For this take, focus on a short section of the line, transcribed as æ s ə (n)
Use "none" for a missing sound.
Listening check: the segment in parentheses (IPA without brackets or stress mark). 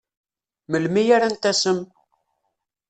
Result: m